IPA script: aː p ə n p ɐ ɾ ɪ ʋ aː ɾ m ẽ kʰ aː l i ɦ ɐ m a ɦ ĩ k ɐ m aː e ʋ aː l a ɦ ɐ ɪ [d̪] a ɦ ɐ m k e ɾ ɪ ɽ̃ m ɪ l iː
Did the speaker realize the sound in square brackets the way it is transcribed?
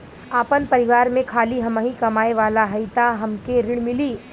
no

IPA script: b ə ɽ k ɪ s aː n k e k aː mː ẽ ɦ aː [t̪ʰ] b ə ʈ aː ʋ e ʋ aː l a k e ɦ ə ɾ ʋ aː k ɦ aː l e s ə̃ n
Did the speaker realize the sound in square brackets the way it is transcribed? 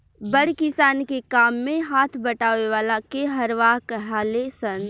yes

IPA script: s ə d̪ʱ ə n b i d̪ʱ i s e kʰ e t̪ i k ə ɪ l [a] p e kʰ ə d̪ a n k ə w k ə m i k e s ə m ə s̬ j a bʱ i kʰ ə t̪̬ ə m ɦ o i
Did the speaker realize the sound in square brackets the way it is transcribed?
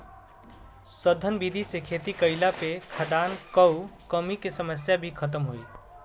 yes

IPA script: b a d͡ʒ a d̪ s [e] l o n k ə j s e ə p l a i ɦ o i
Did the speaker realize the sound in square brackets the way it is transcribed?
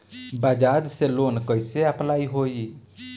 yes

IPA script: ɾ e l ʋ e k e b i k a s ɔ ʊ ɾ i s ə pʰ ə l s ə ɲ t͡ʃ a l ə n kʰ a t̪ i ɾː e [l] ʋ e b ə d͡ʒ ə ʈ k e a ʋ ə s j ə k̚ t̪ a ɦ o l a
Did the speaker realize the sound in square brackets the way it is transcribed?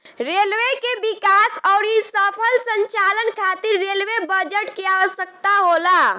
yes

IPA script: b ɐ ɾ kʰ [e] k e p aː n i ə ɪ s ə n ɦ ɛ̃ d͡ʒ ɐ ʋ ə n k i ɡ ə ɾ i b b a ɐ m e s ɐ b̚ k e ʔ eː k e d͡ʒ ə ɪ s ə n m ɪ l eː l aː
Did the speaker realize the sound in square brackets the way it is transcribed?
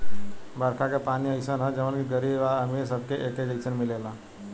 no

